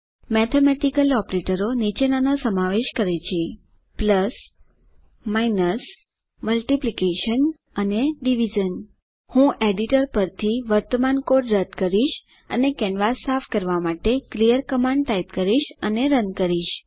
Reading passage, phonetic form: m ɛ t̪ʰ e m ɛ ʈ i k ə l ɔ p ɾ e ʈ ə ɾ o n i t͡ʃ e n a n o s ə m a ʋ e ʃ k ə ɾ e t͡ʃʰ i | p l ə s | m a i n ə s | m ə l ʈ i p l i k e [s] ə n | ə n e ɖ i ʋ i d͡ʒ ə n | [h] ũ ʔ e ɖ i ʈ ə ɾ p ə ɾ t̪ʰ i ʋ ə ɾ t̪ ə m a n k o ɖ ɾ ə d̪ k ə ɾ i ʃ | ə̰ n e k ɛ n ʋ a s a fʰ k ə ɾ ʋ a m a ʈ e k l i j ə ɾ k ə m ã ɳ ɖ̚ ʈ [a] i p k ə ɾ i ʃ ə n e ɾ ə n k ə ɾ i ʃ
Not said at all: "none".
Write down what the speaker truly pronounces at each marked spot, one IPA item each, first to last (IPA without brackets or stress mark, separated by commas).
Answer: ʃ, h, a